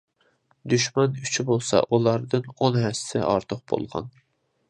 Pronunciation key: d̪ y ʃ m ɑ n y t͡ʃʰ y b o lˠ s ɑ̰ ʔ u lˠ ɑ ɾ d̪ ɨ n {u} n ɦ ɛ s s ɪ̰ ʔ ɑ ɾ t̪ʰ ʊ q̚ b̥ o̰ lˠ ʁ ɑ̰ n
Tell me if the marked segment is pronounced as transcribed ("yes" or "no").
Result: no